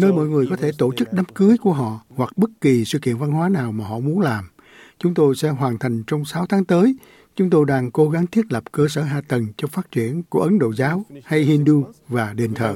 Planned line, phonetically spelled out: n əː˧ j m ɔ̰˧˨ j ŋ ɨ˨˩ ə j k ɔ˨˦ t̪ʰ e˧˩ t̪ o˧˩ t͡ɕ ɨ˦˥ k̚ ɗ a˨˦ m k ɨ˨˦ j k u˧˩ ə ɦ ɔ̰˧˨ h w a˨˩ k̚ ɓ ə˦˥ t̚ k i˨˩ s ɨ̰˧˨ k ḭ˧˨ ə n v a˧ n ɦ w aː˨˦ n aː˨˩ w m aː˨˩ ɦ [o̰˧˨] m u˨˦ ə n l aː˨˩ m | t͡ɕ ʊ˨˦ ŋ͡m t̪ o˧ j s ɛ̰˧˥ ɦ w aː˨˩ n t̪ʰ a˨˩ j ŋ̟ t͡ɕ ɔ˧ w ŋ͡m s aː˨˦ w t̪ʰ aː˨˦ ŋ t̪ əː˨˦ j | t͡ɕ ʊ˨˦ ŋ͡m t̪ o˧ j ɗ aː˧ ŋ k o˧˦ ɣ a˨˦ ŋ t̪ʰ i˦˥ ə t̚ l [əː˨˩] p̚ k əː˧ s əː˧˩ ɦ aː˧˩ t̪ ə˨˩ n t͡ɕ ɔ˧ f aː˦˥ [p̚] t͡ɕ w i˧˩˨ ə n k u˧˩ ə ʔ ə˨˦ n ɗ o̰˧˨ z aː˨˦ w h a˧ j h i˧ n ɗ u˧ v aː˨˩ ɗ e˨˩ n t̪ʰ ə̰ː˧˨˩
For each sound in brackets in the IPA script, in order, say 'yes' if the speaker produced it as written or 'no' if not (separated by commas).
no, no, no